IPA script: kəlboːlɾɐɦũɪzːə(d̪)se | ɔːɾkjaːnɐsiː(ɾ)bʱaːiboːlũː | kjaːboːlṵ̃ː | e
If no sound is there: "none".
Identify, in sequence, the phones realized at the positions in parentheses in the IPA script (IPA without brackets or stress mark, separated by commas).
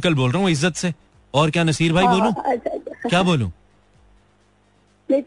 t̪, ɾ